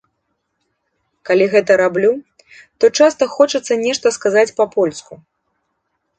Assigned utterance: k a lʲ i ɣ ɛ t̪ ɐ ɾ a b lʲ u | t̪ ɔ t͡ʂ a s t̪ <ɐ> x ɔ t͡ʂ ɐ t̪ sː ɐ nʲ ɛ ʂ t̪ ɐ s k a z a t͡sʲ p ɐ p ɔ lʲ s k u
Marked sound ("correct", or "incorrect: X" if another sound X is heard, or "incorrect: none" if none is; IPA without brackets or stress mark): correct